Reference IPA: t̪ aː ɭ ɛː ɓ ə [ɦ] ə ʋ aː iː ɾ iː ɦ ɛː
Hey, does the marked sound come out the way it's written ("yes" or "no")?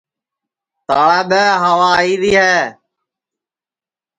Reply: yes